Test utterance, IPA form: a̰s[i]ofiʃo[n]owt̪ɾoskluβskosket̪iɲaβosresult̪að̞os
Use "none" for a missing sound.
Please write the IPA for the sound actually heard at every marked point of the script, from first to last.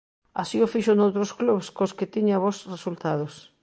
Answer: i, n

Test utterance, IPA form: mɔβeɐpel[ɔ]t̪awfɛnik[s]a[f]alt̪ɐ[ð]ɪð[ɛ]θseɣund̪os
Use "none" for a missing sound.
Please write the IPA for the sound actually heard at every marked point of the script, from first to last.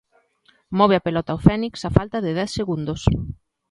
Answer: ɔ, s, f, ð, ɛ

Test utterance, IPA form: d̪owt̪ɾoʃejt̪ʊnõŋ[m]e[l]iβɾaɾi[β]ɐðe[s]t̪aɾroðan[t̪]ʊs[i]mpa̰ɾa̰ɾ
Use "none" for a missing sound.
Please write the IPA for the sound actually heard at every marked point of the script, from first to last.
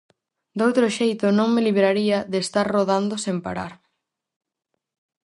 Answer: m, l, none, s, d̪, e

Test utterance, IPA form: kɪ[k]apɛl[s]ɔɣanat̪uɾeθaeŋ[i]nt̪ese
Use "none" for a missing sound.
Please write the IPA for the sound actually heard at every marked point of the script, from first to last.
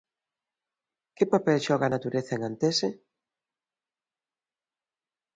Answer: p, ʃ, a

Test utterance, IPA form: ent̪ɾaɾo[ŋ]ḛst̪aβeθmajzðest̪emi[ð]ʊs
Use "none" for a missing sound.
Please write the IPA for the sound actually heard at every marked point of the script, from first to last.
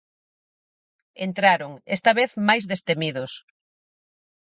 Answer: ŋ, ð

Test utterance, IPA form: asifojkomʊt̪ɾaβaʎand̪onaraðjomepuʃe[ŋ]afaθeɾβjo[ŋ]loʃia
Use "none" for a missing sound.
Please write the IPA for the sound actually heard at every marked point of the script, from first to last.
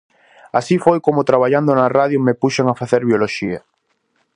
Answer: ŋ, none

